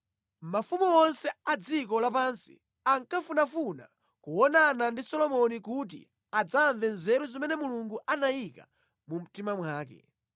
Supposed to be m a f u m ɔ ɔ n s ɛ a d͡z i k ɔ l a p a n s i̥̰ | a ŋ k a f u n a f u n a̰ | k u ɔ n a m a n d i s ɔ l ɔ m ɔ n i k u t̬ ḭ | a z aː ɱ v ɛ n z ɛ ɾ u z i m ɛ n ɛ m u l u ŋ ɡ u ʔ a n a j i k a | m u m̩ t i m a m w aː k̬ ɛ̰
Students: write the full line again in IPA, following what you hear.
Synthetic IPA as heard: m a f u m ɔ ɔ n s ɛ a d͡z i k ɔ l a p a n s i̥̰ | a ŋ k a f u n a f u n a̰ | k u ɔ n a n a n d i s ɔ l ɔ m ɔ n i k u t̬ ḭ | a d͡z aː ɱ v ɛ n z ɛ ɾ u z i m ɛ n ɛ m u l u ŋ ɡ u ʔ a n a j i k a | m u m̩ t i m a m w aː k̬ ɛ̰

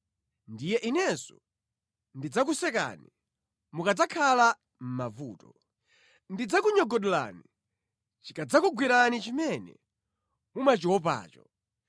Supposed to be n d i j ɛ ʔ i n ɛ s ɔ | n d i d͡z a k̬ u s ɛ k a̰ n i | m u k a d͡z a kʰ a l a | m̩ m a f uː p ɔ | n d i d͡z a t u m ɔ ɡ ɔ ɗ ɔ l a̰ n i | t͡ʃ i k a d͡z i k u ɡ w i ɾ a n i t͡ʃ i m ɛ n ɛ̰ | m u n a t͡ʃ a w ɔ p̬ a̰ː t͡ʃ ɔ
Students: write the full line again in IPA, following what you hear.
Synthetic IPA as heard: n d i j ɛ ʔ i n ɛ s ɔ | n d i d͡z a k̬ u s ɛ k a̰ n i | m u k a d͡z a kʰ a l a | m̩ m a v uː t ɔ | n d i d͡z a k u ɲ ɔ ɡ ɔ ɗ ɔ l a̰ n i | t͡ʃ i k a d͡z a k u ɡ w i ɾ a n i t͡ʃ i m ɛ n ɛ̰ | m u m a t͡ʃ i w ɔ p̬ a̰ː t͡ʃ ɔ

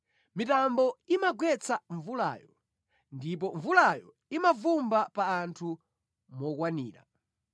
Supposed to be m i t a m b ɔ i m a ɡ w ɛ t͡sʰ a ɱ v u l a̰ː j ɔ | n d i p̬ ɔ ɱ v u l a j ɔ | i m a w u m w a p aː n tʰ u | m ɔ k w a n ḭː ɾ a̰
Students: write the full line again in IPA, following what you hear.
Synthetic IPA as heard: m i t a m b ɔ i m a ɡ w ɛ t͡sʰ a ɱ v u l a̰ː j ɔ | n d i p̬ ɔ ɱ v u l a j ɔ | i m a v u m b a p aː n tʰ u | m ɔ k w a n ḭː ɾ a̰

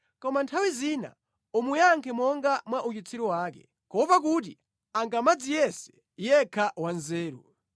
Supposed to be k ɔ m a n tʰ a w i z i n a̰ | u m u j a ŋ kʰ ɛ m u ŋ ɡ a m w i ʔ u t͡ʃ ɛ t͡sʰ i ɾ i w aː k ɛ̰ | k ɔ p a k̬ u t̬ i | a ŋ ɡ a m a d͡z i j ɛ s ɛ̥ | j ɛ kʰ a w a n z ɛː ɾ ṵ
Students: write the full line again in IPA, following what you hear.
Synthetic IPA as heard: k ɔ m a n tʰ a w i z i n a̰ | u m u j a ŋ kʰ ɛ m ɔ ŋ ɡ a m w a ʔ u t͡ʃ i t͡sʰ i ɾ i w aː k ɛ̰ | k ɔ p a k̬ u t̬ i | a ŋ ɡ a m a d͡z i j ɛ s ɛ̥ | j ɛ kʰ a w a n z ɛː ɾ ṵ

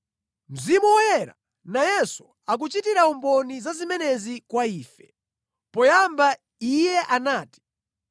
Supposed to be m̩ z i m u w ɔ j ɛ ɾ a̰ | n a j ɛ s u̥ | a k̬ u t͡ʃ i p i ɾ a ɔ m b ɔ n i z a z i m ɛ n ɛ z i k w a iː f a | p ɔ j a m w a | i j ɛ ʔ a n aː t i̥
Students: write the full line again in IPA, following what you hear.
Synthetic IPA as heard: m̩ z i m u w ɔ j ɛ ɾ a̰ | n a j ɛ s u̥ | a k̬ u t͡ʃ i t i ɾ a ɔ m b ɔ n i z a z i m ɛ n ɛ z i k w a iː f ɛ | p ɔ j a m b a | i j ɛ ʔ a n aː t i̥

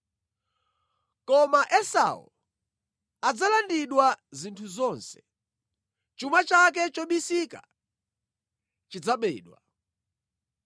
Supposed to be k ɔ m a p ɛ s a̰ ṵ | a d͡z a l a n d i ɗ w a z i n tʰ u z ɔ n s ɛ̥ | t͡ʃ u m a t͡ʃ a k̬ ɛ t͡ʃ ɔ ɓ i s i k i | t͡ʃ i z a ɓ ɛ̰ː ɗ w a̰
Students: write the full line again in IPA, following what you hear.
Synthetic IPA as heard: k ɔ m a ʔ ɛ s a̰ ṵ | a d͡z a l a n d i ɗ w a z i n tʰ u z ɔ n s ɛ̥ | t͡ʃ u m a t͡ʃ a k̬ ɛ t͡ʃ ɔ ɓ i s i k a | t͡ʃ i d͡z a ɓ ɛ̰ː ɗ w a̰

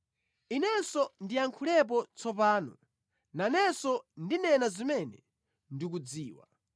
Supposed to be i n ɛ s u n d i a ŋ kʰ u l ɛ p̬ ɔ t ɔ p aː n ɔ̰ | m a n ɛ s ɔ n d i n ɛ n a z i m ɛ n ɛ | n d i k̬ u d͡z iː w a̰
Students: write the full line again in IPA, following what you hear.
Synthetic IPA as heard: i n ɛ s ɔ n d i a ŋ kʰ u l ɛ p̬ ɔ t͡s ɔ p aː n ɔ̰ | n a n ɛ s ɔ n d i n ɛ n a z i m ɛ n ɛ | n d i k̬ u d͡z iː w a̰

